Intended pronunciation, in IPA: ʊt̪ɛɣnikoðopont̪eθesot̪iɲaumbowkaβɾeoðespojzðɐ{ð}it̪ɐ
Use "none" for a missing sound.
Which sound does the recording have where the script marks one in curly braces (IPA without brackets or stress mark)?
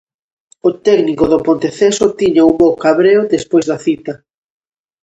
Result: θ